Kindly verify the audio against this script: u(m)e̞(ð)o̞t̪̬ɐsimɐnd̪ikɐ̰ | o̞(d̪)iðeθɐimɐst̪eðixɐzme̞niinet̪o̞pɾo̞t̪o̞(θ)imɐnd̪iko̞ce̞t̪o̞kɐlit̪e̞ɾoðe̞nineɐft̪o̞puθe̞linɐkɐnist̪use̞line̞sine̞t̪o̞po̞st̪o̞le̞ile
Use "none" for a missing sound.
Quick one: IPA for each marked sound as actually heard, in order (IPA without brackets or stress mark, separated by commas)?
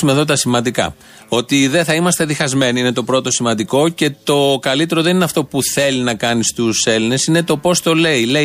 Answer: m, ð, t̪, s